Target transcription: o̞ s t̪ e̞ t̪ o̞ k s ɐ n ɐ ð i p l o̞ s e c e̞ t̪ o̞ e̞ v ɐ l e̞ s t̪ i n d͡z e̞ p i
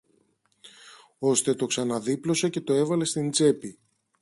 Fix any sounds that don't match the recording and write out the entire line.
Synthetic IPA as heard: o̞ s t̪ e̞ t̪ o̞ k s ɐ n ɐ ð i p l o̞ s e c e̞ t̪ o̞ e̞ v ɐ l e̞ s t̪ i n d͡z e̞ p i